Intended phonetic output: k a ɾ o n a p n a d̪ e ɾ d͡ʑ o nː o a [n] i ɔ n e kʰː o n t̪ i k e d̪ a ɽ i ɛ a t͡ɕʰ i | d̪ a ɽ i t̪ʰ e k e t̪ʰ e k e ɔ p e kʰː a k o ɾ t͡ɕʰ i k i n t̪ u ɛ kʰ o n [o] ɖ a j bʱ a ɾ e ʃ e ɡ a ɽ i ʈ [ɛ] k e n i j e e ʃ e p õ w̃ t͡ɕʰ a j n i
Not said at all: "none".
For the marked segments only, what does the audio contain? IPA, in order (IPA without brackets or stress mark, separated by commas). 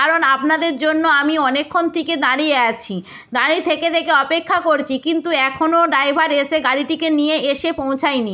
m, o, i